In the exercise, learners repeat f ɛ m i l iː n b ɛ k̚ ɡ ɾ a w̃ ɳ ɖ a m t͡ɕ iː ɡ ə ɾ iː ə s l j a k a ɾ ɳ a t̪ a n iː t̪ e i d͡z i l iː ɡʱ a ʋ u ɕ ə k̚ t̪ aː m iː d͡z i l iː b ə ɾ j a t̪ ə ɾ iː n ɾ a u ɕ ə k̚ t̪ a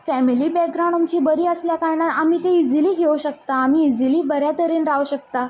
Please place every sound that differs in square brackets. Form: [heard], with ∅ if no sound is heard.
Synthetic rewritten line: f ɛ m i l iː [∅] b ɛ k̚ ɡ ɾ a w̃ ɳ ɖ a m t͡ɕ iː [b] ə ɾ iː ə s l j a k a ɾ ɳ a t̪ a [m] iː t̪ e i d͡z i l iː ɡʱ [e] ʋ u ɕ ə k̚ t̪ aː m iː d͡z i l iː b ə ɾ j a t̪ ə ɾ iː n ɾ a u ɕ ə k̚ t̪ a